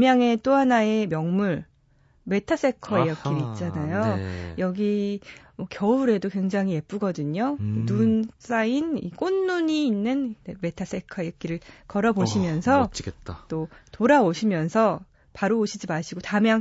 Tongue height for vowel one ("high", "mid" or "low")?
low